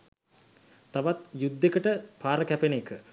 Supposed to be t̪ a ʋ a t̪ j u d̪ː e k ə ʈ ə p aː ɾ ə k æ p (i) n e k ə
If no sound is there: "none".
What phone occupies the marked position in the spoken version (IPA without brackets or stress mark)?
e